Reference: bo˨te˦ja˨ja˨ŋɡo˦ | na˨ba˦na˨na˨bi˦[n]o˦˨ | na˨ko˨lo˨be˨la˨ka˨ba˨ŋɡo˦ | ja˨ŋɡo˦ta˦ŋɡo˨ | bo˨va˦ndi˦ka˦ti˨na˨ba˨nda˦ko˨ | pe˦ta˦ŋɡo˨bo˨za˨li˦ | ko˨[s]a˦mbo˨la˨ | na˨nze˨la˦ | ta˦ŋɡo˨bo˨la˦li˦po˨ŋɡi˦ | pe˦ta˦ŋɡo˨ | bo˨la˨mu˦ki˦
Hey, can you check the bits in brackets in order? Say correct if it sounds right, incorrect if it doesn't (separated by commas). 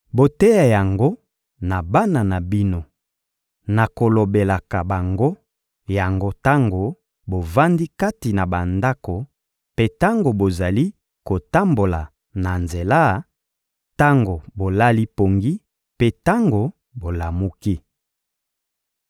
correct, incorrect